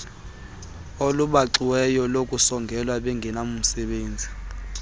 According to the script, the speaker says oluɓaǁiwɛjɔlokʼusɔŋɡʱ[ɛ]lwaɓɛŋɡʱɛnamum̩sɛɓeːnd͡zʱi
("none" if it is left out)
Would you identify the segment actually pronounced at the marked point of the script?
ɛ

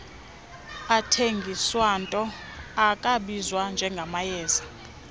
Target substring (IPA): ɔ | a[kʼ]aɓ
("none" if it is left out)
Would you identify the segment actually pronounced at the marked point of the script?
kʼ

